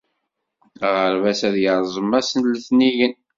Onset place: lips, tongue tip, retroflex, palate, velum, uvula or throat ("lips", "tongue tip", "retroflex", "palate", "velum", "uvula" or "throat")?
uvula